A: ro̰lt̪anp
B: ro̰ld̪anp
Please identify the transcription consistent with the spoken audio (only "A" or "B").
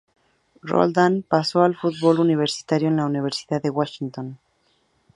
B